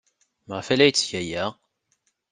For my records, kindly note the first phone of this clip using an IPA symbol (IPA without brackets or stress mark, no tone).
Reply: m